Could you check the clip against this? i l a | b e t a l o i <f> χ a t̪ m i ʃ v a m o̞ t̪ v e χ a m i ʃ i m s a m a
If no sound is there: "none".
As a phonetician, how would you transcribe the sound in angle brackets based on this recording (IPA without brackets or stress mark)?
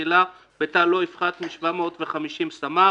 f